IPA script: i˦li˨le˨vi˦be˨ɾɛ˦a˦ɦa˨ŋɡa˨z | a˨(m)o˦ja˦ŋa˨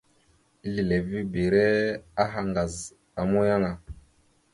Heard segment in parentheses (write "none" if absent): m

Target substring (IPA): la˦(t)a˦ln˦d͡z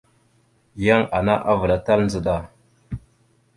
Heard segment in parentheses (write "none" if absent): t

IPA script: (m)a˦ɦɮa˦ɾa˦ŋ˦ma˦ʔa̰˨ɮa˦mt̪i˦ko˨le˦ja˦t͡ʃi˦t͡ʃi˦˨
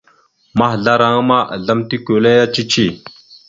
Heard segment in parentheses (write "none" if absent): m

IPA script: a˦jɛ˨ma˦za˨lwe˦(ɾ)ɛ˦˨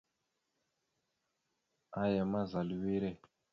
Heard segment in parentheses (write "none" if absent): ɾ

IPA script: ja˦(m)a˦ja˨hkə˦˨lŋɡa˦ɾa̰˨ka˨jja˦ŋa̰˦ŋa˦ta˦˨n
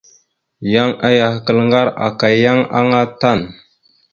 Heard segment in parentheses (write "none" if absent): ŋ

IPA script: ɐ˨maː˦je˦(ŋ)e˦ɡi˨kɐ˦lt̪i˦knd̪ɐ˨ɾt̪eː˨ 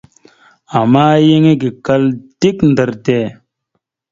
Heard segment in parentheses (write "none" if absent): ŋ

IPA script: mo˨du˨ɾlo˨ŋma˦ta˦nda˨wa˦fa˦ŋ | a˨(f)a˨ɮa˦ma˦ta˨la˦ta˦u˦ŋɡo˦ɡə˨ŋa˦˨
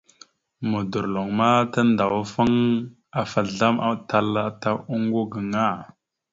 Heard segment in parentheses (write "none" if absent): f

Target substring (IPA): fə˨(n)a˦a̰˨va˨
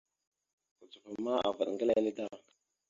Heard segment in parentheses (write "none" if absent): m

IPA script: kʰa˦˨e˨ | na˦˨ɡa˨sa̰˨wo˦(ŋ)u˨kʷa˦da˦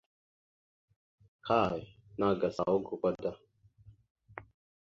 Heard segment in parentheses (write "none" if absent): ɡ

